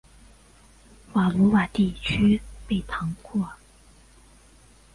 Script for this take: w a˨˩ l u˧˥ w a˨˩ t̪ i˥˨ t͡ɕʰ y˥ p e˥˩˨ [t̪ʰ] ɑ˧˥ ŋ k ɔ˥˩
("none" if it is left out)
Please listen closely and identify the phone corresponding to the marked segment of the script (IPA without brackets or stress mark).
t̪ʰ